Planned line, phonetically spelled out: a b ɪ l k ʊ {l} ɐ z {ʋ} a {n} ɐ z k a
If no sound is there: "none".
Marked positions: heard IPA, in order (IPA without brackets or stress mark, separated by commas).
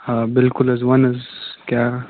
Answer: l, w, n